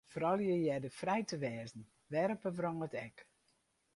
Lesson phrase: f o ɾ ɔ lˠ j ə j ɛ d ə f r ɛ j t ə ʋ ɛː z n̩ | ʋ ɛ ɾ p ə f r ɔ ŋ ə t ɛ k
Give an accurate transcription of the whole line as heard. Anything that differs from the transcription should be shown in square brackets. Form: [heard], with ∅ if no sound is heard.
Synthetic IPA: f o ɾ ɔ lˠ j ə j ɛ d ə f r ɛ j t ə ʋ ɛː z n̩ | ʋ ɛ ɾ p ə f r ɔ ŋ ə t ɛ k